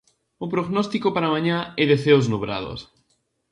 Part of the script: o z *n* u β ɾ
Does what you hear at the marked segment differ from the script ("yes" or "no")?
no